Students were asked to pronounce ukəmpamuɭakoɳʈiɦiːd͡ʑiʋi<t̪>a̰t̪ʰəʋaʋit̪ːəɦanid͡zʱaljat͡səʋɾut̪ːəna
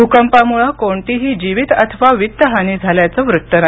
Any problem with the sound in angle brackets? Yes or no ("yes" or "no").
no